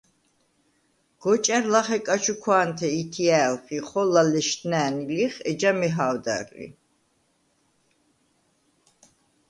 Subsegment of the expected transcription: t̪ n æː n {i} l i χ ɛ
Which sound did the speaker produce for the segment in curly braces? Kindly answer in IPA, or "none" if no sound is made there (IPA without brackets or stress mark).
i